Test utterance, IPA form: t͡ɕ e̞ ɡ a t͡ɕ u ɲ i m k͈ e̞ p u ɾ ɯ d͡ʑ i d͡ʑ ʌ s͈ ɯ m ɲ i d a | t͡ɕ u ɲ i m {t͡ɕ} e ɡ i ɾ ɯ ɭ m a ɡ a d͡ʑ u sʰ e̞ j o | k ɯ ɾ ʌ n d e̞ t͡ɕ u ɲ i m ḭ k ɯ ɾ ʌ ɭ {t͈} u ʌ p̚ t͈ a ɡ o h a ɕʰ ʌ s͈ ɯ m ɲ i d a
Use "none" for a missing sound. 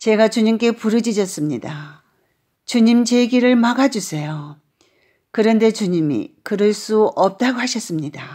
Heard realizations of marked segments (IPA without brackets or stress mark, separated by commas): t͡ɕ, s͈